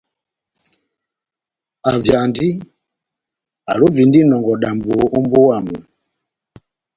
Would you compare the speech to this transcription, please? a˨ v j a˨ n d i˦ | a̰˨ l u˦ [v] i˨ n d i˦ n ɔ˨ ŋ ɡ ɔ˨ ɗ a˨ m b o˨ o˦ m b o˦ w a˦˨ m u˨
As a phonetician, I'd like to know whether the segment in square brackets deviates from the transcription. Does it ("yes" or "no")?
no